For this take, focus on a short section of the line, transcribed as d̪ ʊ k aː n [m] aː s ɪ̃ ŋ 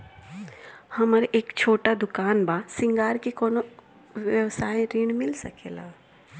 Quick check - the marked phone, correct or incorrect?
incorrect: b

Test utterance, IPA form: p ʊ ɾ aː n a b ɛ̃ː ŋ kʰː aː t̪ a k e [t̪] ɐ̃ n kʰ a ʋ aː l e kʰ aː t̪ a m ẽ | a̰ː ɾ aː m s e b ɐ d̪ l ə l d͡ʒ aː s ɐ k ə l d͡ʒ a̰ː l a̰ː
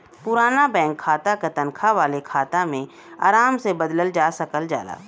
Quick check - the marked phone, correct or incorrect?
correct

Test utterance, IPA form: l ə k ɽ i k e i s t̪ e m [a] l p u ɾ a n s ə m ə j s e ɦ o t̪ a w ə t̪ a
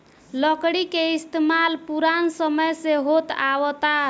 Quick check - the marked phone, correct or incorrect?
correct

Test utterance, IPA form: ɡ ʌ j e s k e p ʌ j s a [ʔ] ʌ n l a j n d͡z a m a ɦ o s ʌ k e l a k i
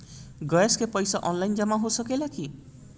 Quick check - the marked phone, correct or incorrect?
correct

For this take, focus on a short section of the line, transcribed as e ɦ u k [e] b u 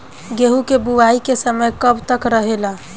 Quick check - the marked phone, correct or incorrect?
correct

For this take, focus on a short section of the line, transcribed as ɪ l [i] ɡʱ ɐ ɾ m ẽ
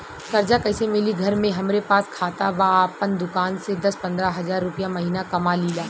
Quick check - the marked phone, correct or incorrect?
correct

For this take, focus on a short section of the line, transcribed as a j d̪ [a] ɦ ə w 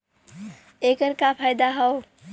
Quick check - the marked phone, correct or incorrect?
correct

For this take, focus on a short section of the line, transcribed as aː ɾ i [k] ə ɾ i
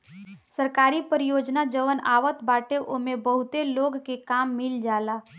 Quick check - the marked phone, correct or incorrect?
incorrect: p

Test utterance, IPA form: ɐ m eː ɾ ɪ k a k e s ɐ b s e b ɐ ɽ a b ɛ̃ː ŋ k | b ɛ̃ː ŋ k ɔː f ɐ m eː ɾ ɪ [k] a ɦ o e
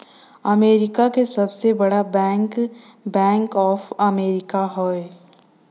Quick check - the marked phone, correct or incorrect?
correct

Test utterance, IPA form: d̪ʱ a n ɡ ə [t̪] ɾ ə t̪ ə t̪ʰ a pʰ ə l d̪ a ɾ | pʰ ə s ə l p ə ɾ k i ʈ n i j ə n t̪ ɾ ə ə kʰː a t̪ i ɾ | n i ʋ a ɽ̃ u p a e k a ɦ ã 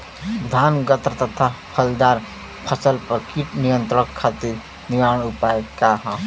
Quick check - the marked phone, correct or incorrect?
correct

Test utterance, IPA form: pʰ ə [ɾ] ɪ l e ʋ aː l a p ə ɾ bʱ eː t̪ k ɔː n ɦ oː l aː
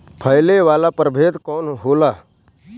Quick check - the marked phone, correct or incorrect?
incorrect: none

